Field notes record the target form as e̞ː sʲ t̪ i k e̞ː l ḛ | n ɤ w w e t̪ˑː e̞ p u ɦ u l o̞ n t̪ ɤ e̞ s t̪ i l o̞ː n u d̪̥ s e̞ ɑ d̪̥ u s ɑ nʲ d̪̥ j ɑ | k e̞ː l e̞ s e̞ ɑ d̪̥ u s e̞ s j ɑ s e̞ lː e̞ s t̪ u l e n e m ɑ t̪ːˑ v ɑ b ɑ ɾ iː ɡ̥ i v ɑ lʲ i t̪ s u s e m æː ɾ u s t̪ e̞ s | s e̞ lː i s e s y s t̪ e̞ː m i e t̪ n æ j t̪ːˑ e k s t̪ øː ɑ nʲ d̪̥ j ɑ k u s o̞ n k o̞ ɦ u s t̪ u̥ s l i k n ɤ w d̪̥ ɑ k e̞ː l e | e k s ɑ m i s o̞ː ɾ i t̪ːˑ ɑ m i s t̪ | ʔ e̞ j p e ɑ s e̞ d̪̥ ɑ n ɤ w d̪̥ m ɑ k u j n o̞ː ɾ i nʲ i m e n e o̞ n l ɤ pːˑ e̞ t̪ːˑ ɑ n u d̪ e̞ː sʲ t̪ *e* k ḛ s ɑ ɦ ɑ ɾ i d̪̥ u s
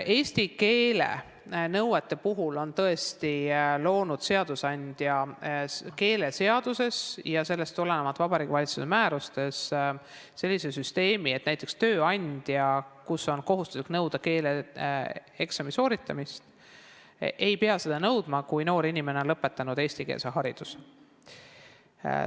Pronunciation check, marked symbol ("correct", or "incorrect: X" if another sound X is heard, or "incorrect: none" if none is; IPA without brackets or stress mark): incorrect: i